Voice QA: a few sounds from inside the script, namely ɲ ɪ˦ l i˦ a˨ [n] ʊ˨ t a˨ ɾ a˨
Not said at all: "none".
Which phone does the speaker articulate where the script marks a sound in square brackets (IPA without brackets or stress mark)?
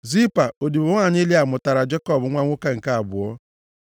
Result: m